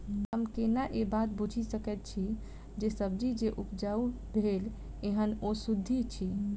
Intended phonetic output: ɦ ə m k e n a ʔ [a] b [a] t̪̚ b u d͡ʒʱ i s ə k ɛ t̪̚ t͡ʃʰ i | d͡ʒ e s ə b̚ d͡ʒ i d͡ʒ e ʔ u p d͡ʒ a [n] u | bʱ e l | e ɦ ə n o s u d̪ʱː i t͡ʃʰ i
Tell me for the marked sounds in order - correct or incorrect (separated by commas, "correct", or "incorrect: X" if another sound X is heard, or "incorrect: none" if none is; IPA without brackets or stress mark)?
incorrect: e, correct, incorrect: none